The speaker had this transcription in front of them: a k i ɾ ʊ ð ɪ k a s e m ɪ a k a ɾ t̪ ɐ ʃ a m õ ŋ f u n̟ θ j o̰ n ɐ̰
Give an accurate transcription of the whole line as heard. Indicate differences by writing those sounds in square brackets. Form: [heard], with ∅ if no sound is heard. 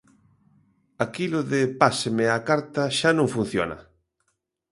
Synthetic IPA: a k i [l] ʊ ð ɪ [p] a s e m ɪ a k a ɾ t̪ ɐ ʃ a [n] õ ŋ f u n̟ θ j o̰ n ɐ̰